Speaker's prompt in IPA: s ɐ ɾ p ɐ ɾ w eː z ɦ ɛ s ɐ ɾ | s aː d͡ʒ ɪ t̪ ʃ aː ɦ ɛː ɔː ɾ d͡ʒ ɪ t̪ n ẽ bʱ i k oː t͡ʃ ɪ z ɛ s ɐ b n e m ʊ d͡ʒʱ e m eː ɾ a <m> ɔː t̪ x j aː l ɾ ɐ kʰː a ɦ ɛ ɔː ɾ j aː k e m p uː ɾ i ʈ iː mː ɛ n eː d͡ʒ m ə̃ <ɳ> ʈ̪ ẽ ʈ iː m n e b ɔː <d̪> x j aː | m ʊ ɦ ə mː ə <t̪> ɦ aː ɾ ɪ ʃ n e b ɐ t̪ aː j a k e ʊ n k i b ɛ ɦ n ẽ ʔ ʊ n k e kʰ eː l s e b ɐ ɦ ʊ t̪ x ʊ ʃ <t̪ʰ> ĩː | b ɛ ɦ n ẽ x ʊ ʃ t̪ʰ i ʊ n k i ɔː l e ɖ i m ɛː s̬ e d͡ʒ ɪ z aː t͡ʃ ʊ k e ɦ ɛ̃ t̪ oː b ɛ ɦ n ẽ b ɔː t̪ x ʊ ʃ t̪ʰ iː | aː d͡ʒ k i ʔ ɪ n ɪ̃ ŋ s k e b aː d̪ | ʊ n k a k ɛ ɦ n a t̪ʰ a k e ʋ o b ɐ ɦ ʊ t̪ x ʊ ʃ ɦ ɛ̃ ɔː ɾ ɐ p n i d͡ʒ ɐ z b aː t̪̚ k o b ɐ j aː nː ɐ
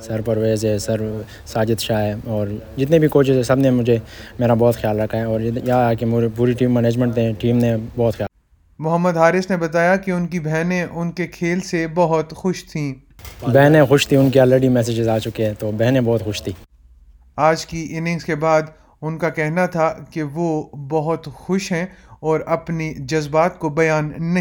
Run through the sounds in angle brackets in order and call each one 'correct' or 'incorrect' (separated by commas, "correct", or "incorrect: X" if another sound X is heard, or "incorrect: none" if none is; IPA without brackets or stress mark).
incorrect: b, correct, incorrect: t̪, incorrect: d̪, correct